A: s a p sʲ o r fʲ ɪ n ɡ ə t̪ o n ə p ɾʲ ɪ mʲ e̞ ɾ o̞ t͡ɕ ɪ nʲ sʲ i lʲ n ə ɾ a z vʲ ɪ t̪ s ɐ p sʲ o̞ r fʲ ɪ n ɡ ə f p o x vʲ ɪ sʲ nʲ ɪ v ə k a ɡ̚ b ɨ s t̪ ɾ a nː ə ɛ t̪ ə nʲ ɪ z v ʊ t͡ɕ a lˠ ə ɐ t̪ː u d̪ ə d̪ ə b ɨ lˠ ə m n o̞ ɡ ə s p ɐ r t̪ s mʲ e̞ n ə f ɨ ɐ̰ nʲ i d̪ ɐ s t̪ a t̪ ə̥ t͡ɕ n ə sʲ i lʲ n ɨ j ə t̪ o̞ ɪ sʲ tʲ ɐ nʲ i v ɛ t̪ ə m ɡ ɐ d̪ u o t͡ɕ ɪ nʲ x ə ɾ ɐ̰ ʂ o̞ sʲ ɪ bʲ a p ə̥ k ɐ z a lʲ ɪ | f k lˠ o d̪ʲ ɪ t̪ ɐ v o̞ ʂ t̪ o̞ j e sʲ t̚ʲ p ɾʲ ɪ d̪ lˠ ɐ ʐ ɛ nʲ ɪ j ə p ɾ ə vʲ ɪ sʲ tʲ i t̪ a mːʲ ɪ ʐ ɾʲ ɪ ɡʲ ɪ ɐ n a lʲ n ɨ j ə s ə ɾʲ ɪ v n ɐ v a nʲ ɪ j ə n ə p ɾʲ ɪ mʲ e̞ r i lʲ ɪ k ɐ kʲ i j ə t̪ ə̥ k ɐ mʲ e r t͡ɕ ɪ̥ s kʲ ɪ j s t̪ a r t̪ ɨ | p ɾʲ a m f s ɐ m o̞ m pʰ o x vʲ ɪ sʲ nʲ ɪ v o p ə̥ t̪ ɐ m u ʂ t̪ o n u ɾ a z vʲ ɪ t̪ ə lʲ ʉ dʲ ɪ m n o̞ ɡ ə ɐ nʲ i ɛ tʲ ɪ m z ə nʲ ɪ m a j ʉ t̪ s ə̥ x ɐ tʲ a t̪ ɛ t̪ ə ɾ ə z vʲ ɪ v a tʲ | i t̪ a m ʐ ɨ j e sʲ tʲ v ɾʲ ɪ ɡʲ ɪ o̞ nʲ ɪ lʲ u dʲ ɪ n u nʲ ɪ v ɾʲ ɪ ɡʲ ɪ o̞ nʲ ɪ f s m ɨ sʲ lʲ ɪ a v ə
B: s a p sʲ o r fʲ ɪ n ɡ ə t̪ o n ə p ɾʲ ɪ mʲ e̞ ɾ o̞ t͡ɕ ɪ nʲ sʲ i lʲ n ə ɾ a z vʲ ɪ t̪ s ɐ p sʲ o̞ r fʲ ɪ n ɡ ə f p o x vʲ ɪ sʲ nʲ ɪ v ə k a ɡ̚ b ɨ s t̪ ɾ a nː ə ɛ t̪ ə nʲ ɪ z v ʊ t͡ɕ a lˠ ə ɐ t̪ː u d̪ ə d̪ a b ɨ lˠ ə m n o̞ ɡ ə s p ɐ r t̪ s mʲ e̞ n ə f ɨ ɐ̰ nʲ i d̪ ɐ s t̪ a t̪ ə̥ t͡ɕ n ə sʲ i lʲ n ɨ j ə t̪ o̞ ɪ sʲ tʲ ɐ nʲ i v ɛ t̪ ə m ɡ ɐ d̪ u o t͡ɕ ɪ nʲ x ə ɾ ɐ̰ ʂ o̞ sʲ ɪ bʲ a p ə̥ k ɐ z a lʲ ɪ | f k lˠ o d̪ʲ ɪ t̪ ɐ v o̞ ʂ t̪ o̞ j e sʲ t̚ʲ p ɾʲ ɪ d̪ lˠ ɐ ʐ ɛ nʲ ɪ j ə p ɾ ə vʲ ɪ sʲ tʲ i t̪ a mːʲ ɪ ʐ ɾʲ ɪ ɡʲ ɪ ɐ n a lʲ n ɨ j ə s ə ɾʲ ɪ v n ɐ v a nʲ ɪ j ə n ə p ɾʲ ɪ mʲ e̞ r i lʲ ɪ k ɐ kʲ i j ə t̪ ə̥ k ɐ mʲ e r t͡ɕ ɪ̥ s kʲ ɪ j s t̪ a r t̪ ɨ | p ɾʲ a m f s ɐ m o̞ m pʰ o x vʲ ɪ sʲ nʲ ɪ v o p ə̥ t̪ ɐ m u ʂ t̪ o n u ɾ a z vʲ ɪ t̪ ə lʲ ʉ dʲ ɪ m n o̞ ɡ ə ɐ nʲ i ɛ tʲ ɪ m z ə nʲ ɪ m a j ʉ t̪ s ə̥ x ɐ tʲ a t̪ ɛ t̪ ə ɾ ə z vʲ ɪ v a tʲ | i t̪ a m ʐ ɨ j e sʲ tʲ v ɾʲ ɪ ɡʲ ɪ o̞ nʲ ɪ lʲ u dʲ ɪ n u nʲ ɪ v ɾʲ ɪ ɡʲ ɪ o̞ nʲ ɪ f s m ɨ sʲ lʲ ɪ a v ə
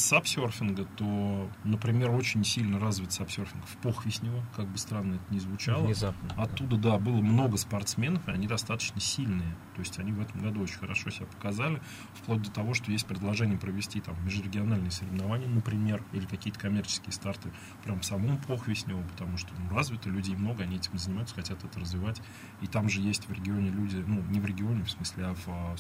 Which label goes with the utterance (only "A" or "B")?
B